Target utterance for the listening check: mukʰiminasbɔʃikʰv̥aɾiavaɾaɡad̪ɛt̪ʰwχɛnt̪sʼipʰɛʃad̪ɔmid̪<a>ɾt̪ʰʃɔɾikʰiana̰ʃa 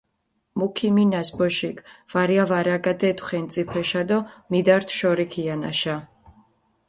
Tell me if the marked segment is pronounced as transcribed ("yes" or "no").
yes